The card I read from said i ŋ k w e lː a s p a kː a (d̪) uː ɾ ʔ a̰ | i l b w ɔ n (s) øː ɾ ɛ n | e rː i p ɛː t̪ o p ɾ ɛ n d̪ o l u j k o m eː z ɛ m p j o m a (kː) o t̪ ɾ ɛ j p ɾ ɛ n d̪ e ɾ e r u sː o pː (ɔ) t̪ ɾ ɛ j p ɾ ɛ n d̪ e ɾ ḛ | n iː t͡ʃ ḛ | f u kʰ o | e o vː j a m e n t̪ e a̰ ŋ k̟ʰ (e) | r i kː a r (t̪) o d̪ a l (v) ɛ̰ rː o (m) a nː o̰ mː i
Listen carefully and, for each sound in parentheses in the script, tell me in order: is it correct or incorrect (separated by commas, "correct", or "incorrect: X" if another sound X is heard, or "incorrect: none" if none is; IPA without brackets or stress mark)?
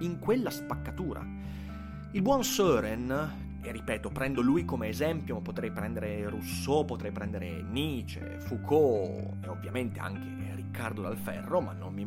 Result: incorrect: t̪, correct, incorrect: pː, incorrect: o, correct, incorrect: d̪, incorrect: f, correct